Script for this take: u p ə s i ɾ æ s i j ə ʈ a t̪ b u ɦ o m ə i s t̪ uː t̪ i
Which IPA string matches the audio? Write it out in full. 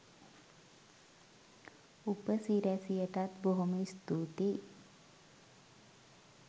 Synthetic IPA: u p ə s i ɾ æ s i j ə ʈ a t̪ b o ɦ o m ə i s t̪ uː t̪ i